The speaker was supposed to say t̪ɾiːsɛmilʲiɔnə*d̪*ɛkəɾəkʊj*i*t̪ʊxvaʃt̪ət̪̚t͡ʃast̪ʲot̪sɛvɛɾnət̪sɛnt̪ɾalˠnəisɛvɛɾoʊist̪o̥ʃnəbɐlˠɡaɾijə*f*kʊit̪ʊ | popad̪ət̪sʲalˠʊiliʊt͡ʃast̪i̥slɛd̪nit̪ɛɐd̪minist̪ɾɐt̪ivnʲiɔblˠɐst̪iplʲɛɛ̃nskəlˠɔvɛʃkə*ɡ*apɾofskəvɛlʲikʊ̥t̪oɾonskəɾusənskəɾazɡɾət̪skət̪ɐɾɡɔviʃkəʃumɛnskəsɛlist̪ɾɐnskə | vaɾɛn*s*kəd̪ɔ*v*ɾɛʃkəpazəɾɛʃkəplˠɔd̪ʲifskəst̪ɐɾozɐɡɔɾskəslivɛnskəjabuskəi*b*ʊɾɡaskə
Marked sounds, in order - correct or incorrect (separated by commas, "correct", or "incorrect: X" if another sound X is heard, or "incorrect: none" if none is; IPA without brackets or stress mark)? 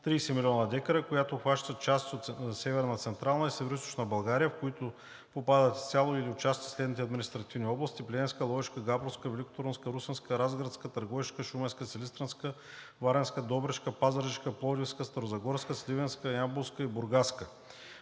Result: correct, incorrect: a, correct, correct, correct, incorrect: b, correct